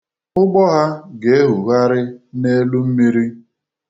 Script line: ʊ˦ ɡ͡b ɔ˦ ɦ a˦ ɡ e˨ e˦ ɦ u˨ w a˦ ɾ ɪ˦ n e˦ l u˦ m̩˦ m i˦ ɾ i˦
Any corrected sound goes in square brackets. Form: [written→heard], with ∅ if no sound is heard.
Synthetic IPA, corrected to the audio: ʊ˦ ɡ͡b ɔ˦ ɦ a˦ ɡ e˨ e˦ ɦ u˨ [w→ɣ] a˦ ɾ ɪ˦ n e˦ l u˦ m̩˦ m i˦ ɾ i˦